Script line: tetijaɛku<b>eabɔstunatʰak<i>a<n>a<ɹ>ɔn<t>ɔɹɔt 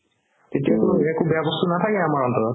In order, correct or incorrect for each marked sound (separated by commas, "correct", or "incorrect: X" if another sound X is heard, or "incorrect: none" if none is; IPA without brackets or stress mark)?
correct, incorrect: ɛ, incorrect: m, correct, correct